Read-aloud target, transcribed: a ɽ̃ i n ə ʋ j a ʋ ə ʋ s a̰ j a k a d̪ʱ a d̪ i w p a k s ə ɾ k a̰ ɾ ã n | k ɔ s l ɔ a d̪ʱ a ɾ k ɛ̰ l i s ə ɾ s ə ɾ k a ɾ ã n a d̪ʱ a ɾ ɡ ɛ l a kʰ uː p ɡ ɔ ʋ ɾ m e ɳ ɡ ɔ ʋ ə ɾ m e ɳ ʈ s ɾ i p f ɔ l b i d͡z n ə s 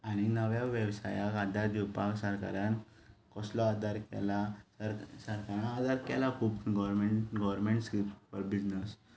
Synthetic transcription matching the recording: a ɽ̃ i n ə ʋ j a ʋ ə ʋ s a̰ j a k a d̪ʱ a d̪ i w p a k s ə ɾ k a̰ ɾ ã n | k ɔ s l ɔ a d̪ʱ a ɾ k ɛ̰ l a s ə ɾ s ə ɾ k a ɾ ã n a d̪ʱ a ɾ k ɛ l a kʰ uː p ɡ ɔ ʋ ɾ m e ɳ ɡ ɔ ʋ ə ɾ m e ɳ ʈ s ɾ i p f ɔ ɾ b i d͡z n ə s